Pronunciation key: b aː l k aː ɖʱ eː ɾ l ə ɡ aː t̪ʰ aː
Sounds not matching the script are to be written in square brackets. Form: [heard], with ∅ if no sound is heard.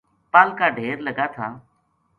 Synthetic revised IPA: [p] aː l k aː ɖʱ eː ɾ l ə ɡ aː t̪ʰ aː